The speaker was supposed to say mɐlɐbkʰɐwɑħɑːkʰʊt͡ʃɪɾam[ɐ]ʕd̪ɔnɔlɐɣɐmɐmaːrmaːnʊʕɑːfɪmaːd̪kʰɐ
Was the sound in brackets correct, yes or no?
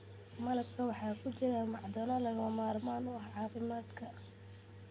no